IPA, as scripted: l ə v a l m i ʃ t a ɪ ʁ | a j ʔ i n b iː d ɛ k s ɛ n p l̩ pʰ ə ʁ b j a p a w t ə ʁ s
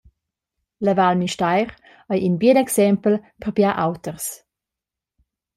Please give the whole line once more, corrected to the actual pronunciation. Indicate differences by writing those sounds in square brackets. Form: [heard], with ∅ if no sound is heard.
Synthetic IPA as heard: l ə v a l m i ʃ t a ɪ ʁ | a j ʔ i n b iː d ɛ k s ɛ [m] p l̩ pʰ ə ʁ b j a [ʔ] a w t ə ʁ s